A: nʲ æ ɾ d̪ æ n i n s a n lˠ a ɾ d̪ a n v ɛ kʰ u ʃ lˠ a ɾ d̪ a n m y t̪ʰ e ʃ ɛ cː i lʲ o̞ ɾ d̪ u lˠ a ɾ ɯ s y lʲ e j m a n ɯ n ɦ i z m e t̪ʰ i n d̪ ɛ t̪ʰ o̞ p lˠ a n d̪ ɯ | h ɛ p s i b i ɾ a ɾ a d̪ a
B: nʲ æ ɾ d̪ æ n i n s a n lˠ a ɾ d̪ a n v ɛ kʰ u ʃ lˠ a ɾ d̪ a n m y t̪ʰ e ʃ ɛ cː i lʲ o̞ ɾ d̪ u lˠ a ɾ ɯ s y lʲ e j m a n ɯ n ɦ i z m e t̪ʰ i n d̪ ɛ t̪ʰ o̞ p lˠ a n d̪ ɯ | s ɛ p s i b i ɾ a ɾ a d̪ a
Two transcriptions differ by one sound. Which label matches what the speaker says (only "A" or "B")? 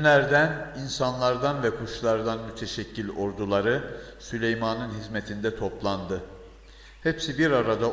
A